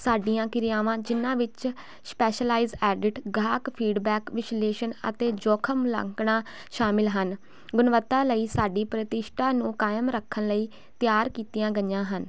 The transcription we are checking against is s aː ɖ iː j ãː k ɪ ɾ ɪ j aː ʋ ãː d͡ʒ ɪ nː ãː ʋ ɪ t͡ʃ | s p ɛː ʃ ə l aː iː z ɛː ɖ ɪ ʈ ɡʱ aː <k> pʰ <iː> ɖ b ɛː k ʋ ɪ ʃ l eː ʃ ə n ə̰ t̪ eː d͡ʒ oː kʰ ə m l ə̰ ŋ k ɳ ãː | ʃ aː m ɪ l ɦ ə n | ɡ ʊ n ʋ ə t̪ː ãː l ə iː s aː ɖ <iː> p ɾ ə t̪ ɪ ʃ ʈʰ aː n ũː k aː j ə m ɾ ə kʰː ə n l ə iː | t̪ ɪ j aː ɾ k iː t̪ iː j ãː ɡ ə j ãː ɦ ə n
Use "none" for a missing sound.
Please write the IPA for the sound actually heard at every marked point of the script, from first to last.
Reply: k, iː, iː

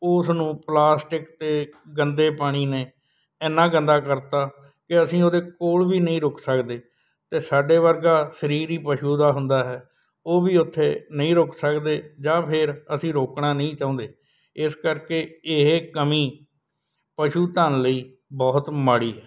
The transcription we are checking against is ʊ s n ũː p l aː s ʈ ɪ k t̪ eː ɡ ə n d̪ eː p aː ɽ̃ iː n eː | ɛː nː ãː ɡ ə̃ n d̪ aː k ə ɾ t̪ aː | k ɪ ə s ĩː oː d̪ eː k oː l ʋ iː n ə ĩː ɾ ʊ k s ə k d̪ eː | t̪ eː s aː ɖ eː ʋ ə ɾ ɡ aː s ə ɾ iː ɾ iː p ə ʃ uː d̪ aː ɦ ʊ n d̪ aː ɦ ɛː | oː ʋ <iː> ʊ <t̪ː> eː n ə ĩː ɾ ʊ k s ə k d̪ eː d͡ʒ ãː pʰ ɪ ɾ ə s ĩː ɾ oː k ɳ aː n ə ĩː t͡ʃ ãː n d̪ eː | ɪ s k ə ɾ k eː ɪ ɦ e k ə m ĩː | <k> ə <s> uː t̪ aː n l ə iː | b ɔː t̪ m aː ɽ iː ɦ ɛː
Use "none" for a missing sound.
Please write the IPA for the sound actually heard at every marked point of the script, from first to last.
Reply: iː, t̪ʰː, p, ʃ

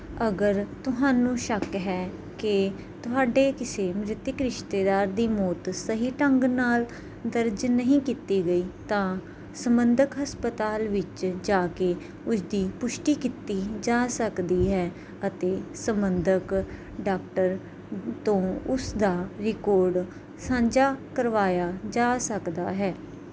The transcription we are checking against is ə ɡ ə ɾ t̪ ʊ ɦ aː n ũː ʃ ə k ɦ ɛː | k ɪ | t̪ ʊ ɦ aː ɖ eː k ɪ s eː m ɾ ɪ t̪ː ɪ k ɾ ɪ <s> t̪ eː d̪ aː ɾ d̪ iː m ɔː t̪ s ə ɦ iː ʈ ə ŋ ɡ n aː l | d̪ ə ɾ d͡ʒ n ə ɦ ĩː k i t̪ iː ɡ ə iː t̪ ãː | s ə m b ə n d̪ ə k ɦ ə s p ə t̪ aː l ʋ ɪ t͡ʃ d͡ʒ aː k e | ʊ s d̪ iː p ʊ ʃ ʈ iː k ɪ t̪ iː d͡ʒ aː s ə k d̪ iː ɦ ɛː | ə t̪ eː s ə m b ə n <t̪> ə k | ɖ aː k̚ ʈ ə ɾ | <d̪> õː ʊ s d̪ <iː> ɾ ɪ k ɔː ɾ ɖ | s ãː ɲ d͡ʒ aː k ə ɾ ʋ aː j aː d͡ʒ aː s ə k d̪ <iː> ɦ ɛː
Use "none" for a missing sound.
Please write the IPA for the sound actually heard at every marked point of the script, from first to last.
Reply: ʃ, d̪, t̪, aː, aː

